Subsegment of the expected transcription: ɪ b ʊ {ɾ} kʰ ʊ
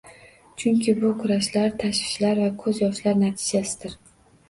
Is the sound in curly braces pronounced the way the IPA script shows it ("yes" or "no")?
no